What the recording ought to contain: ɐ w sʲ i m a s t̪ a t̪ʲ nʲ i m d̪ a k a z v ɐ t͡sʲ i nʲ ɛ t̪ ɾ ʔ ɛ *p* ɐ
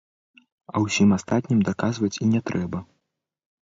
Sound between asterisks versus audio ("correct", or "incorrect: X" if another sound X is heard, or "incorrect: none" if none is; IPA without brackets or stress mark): incorrect: b